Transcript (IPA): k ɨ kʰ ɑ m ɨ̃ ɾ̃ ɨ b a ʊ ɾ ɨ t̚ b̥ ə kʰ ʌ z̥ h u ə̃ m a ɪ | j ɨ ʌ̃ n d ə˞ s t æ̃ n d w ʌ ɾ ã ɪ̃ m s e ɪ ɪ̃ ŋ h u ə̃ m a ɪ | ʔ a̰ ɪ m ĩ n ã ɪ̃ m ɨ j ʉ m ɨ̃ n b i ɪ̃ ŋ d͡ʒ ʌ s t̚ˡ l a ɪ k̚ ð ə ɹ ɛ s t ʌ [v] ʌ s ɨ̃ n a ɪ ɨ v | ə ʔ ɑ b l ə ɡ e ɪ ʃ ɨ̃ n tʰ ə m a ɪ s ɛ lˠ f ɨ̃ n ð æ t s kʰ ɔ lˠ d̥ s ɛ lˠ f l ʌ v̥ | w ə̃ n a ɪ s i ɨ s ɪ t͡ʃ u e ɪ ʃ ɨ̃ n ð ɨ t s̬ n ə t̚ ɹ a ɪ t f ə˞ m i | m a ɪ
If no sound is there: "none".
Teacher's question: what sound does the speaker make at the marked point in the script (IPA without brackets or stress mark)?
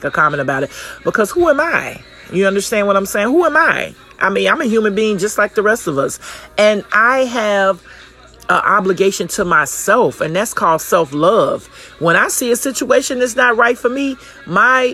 v